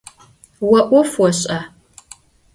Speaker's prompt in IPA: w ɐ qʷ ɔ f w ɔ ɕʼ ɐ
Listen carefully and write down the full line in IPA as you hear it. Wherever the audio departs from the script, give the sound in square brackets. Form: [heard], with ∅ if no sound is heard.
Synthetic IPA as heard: w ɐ [ʔʷ] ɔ f w ɔ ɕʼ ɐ